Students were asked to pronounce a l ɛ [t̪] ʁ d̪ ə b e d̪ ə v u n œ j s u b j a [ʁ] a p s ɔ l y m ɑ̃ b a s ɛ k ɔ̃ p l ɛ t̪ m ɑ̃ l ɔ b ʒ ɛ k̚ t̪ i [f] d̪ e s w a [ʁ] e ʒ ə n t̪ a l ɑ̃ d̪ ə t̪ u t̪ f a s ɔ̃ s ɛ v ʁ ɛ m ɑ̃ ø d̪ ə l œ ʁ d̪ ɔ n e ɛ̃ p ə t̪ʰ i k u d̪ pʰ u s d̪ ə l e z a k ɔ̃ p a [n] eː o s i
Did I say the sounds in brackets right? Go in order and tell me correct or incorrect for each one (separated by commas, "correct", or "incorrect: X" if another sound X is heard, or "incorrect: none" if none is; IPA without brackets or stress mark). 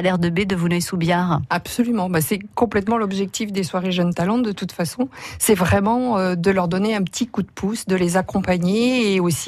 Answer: incorrect: none, correct, correct, correct, incorrect: ɲ